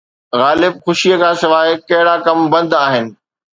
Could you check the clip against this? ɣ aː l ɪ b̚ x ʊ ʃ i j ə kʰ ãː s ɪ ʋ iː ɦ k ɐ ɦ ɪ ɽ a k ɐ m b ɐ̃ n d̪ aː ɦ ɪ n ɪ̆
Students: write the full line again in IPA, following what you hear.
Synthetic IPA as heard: ɣ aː l ɪ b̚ x ʊ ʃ i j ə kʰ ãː s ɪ ʋ aː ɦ k ɐ ɦ ɪ ɽ a k ɐ m b ɐ̃ n d̪ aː ɦ ɪ n ɪ̆